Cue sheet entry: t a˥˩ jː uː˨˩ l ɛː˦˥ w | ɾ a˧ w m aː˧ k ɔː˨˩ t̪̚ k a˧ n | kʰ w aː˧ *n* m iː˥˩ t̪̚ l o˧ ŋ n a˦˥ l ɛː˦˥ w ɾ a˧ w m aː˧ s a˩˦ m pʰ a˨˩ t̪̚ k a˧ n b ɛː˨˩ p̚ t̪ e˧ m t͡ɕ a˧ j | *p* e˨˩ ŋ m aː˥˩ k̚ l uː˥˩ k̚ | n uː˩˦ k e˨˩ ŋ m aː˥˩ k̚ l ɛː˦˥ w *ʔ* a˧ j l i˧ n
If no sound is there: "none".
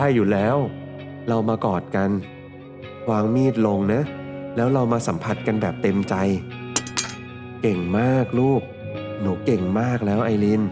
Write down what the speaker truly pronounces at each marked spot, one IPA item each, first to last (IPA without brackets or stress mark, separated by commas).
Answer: ŋ, k, ʔ